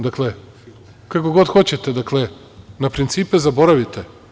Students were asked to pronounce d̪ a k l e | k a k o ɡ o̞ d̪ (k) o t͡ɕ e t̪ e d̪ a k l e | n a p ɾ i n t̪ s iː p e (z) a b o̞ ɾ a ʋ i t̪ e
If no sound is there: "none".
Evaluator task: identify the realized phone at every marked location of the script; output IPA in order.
x, z

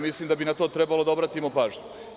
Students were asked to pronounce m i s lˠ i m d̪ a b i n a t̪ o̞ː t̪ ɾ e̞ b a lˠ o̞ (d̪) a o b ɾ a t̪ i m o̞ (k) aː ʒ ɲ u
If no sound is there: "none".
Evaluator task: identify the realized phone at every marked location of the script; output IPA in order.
d̪, p

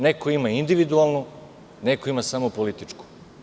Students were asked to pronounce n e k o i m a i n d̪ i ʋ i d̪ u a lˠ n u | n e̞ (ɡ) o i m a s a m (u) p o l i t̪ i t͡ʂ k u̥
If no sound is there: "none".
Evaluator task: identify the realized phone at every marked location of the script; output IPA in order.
k, o

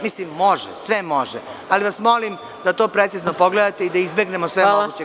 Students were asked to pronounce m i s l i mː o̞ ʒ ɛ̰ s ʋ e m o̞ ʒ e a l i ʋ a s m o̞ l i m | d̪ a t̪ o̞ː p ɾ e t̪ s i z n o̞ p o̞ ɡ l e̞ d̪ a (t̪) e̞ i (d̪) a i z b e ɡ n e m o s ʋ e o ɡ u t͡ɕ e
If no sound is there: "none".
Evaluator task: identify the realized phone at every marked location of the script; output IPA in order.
t̪, d̪

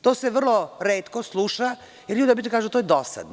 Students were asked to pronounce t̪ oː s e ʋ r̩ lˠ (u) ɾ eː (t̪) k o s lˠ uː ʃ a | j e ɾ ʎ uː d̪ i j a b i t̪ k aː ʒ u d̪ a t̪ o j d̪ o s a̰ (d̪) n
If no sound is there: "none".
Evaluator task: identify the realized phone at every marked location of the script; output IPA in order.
o, t̪, d̪

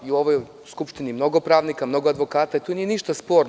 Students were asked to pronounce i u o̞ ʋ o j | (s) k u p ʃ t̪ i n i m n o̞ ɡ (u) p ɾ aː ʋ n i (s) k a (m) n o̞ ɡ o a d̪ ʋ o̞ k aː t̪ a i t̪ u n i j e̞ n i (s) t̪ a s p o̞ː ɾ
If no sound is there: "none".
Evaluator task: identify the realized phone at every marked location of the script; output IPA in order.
s, o, none, m, ʃ

